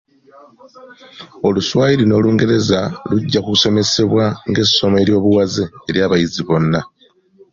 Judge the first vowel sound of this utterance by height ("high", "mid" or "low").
mid